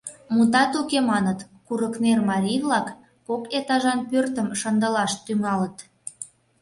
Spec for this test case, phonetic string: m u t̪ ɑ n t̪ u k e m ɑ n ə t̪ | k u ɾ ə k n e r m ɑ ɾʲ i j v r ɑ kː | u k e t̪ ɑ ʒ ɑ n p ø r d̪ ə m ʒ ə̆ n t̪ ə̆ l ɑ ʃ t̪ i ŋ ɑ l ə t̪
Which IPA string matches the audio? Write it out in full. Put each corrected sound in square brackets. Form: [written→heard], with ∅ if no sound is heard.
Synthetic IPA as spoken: m u t̪ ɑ [n→∅] t̪ u k e m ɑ n ə t̪ | k u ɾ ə k n e r m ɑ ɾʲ i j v [r→l] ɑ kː | [u→o] k e t̪ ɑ ʒ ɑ n p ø r [d̪→t̪] ə m [ʒ→ʃ] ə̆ n [t̪→d̪] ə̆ l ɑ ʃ t̪ [i→y] ŋ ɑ l ə t̪